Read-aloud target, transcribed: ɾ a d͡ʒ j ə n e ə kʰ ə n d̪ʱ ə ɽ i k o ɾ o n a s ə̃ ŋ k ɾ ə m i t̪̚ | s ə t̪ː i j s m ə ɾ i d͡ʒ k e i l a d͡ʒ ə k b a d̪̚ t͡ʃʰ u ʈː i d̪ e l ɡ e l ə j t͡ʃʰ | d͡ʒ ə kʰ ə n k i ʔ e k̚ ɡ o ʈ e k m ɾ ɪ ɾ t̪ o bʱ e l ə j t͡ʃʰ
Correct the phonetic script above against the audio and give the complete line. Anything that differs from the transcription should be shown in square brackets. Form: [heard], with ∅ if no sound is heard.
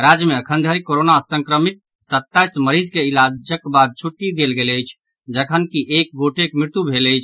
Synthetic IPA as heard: ɾ a d͡ʒ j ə [m] e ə kʰ ə n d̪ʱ ə [ɾ] i k o ɾ o n a s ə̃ ŋ k ɾ ə m i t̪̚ | s ə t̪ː [a] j s m ə ɾ i d͡ʒ k e i l a d͡ʒ ə k b a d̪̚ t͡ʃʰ u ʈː i d̪ e l ɡ e l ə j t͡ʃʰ | d͡ʒ ə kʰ ə n k i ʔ e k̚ ɡ o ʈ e k m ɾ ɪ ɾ t̪ [u] bʱ e l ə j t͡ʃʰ